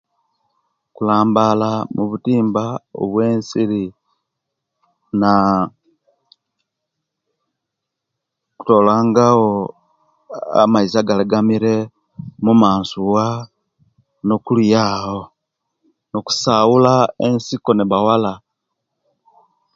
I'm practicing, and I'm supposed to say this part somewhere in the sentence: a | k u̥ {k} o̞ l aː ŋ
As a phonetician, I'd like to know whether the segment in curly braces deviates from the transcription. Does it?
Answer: yes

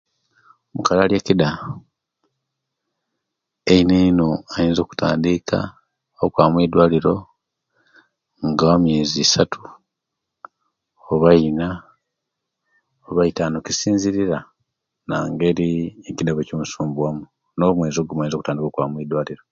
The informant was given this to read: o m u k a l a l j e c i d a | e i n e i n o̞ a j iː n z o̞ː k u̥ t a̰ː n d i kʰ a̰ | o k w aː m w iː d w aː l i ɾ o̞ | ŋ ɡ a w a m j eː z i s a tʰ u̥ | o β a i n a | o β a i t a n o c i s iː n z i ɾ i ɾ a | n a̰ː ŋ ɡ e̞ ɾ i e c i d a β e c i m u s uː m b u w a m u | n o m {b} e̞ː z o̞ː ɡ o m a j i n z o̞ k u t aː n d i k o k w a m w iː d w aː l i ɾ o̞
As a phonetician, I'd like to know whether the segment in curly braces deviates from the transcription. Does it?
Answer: yes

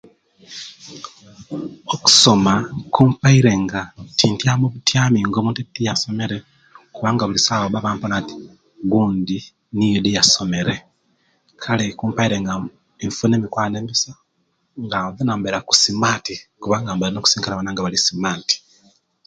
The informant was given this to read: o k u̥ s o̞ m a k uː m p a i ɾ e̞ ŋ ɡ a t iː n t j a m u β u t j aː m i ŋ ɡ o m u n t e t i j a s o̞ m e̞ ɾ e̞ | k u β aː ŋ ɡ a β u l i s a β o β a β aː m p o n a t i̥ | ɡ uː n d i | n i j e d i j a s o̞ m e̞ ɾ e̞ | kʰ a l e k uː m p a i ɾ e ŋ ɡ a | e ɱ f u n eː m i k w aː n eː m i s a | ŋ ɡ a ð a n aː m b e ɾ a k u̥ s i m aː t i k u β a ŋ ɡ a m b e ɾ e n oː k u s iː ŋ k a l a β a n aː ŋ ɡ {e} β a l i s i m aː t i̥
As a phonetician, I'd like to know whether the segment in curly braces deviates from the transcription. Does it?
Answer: yes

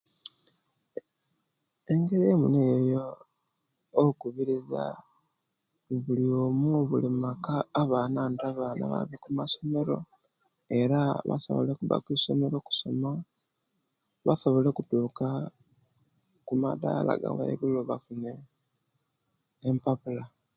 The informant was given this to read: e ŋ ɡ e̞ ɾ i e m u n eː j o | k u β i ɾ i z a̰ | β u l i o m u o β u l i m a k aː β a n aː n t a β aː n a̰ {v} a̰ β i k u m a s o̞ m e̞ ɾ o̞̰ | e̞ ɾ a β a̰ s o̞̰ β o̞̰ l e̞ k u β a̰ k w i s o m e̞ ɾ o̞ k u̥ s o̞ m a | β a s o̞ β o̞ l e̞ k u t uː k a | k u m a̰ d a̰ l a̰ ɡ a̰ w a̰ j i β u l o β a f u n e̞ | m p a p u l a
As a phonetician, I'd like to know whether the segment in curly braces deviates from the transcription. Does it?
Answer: yes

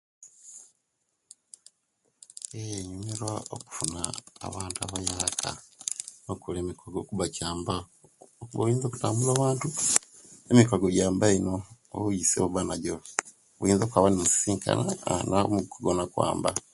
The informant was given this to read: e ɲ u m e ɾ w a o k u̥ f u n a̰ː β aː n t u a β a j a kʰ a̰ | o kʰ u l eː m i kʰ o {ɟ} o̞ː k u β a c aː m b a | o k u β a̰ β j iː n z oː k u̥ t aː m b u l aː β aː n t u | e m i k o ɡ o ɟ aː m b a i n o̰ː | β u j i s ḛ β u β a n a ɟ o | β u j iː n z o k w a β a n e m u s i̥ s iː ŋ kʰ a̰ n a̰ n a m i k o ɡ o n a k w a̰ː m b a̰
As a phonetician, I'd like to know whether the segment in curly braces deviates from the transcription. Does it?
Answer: yes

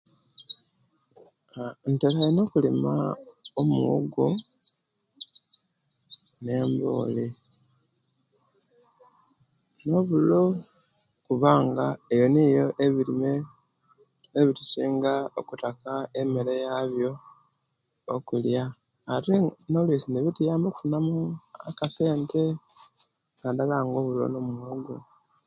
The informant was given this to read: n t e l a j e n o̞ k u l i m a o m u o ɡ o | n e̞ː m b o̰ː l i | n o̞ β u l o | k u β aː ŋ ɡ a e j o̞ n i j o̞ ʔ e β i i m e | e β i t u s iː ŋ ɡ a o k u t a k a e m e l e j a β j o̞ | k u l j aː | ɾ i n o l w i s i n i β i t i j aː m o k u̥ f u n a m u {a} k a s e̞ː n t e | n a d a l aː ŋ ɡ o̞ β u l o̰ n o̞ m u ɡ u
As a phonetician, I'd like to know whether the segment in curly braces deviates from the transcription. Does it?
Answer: no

